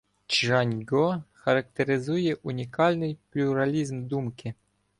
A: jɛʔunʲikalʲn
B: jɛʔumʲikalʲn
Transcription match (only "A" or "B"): A